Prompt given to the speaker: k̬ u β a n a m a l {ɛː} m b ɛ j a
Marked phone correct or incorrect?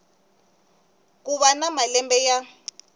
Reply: incorrect